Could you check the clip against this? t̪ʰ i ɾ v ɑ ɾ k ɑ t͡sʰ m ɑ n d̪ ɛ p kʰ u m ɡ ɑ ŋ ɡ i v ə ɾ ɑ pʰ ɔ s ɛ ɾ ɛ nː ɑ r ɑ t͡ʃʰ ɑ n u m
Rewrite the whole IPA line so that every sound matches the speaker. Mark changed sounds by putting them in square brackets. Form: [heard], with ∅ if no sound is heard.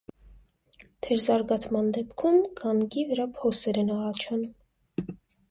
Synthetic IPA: t̪ʰ [ɛ] ɾ [z] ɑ ɾ [ɡ] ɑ t͡sʰ m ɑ n d̪ ɛ p kʰ u m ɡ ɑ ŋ ɡ i v ə ɾ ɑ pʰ ɔ s ɛ ɾ ɛ [n] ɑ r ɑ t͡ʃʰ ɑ n u m

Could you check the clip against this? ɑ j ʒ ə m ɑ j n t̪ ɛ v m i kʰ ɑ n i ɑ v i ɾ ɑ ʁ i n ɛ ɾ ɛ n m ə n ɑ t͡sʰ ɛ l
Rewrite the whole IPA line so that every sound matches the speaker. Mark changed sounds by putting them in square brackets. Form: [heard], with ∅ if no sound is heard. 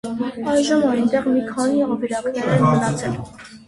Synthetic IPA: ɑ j ʒ ə m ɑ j n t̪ ɛ [ʁ] m i kʰ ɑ n i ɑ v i ɾ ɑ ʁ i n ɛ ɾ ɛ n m ə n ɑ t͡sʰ ɛ l

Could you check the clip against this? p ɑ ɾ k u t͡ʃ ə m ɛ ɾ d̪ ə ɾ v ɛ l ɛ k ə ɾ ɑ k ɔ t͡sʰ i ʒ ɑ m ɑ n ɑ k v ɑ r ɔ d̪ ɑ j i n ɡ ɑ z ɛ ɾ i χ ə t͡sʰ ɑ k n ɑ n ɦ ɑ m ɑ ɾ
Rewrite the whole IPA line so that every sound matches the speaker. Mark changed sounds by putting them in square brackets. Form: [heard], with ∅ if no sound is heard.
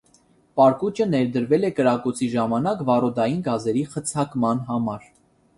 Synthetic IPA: p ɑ ɾ k u t͡ʃ ə [n] ɛ ɾ d̪ ə ɾ v ɛ l ɛ k ə ɾ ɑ k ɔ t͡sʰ i ʒ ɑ m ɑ n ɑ k v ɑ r ɔ d̪ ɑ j i n ɡ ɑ z ɛ ɾ i χ ə t͡sʰ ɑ k [m] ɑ n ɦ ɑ m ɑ ɾ

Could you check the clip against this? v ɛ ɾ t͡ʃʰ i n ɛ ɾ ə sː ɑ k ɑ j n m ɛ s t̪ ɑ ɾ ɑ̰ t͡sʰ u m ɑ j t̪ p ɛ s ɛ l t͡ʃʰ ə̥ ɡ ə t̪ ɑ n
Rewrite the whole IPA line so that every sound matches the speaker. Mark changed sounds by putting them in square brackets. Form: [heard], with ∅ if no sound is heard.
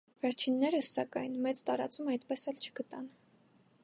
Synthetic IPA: v ɛ ɾ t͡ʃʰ i [nː] ɛ ɾ ə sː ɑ k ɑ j n m ɛ [t͡s] t̪ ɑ ɾ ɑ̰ [t͡s] u m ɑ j t̪ p ɛ s ɛ l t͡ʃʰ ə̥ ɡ ə t̪ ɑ n

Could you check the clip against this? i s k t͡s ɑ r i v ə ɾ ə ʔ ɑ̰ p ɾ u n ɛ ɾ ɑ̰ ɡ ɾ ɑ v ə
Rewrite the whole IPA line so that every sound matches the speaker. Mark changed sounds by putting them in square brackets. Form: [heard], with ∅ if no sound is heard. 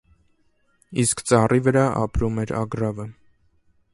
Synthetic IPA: i s k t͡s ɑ r i v ə ɾ [ɑ] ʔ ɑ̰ p ɾ u [m] ɛ ɾ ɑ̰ ɡ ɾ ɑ v ə

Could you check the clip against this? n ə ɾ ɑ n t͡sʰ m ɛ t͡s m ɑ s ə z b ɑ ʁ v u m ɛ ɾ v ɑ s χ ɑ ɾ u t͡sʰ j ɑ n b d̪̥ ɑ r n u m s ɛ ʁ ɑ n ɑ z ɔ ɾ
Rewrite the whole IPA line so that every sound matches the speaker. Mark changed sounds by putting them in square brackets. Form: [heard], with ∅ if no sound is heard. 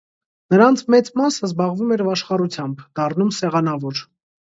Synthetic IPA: n ə ɾ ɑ n t͡sʰ m ɛ t͡s m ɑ s ə z b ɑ ʁ v u m ɛ ɾ v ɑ [ʃ] χ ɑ ɾ u t͡sʰ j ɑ [m] b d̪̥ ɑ r n u m s ɛ ʁ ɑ n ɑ [v] ɔ ɾ

